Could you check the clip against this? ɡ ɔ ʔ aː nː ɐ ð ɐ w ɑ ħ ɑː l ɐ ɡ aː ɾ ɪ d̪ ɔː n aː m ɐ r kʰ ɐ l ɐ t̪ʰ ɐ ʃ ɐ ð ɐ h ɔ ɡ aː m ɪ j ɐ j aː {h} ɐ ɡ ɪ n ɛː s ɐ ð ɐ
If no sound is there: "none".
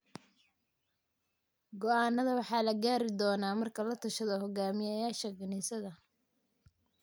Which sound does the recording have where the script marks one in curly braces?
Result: ʃ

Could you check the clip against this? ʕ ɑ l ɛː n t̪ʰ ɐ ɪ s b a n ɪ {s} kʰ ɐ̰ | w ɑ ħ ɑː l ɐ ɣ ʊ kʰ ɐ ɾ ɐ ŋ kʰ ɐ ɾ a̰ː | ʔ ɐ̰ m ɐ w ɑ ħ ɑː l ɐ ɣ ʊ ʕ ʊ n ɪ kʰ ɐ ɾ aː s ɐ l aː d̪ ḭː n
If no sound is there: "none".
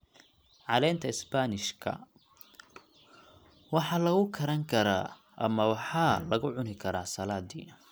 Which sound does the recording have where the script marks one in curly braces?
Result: ʃ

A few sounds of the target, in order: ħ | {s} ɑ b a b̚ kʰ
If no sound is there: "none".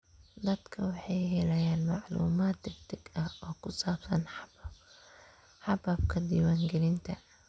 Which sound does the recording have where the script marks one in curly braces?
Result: ħ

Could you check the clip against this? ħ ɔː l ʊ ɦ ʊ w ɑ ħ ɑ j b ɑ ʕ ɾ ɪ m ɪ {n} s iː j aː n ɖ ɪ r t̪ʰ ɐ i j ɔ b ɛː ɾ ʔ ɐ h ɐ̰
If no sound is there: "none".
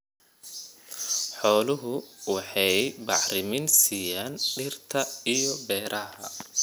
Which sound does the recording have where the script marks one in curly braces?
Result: n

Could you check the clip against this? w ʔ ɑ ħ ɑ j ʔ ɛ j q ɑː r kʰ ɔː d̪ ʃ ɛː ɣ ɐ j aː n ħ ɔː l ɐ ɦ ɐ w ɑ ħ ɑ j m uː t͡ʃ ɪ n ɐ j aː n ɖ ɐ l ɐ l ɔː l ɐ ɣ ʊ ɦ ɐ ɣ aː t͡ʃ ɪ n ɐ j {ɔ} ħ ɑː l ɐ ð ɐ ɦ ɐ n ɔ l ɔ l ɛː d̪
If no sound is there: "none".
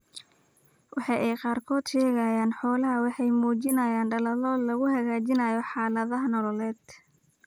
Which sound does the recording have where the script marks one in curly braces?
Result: ɔ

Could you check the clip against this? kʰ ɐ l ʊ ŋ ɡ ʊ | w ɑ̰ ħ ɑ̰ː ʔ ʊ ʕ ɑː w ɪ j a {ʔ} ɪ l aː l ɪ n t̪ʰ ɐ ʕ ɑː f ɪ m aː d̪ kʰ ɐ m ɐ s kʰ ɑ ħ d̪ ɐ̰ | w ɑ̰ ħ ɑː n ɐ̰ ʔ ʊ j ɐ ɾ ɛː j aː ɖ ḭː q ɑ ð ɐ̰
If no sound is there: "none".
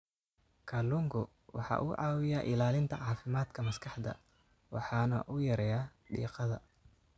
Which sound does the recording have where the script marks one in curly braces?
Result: ʔ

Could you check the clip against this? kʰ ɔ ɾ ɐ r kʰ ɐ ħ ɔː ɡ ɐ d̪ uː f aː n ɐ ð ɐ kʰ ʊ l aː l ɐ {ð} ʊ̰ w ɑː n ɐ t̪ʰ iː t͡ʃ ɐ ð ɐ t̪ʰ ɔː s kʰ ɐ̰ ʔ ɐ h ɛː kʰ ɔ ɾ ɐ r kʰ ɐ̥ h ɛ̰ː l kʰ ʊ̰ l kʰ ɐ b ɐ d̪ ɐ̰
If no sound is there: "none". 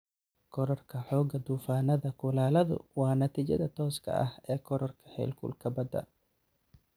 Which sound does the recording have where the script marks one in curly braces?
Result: ð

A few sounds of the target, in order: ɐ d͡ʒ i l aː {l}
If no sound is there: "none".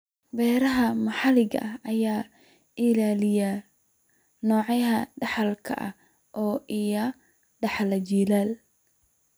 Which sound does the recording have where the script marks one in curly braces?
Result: l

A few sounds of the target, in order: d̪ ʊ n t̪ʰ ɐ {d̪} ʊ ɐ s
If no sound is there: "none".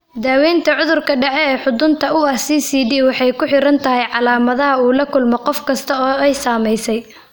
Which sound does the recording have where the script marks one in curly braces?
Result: none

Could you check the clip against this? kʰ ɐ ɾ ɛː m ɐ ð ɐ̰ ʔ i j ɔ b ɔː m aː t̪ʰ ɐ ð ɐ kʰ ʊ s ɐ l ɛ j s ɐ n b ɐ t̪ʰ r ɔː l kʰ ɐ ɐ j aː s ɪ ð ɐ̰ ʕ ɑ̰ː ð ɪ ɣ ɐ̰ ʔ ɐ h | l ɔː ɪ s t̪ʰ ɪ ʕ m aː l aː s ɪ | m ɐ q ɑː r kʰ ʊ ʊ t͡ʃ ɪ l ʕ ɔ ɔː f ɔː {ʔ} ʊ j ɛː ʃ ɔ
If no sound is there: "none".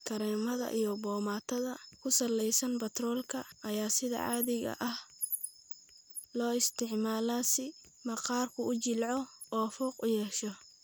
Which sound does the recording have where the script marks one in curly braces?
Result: q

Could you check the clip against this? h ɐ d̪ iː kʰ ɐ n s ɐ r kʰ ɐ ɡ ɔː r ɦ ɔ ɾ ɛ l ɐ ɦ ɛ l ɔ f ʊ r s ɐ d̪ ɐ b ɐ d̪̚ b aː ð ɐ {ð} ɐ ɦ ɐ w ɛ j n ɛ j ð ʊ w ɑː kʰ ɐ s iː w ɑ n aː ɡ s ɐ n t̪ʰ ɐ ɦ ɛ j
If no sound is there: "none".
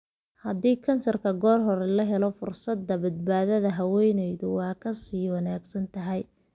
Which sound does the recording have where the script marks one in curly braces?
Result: ð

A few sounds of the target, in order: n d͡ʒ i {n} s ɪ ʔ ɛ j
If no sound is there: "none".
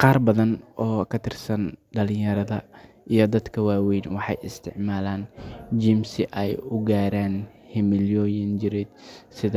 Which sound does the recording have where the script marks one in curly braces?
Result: m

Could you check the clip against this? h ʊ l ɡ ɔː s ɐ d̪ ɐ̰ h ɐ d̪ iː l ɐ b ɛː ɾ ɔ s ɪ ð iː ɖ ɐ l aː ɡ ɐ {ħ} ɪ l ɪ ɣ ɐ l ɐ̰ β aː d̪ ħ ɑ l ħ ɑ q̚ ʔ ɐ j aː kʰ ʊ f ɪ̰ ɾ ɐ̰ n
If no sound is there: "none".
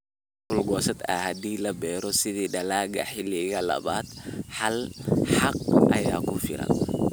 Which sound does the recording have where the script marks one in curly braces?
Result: ħ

